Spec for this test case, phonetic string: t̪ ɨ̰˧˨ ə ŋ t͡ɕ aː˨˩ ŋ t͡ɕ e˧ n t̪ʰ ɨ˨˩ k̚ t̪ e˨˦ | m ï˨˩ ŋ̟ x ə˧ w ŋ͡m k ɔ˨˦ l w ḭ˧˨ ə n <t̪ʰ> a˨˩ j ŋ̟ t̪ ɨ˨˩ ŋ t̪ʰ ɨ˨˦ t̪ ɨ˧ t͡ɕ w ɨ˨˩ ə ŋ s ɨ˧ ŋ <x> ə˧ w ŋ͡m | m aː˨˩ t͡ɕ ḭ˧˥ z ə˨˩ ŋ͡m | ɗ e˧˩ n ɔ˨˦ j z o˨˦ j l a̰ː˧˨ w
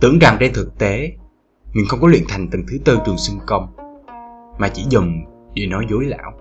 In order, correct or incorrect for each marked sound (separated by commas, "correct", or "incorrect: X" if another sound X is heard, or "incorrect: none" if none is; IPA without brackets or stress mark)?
correct, incorrect: k